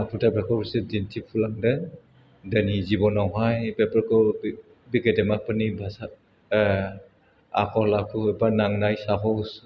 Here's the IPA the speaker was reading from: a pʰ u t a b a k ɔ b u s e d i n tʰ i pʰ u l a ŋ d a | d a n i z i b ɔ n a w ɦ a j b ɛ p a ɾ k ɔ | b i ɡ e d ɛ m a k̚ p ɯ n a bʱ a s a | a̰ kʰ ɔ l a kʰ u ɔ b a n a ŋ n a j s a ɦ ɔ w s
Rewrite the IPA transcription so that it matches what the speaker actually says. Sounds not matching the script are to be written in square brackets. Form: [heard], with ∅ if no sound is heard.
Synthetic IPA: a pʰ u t a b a k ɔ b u s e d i n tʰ i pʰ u l a ŋ d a | d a n i z i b ɔ n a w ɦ a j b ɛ p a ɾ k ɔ | b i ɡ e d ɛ m a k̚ p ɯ n [i] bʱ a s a | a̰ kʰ ɔ l a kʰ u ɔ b a n a ŋ n a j s a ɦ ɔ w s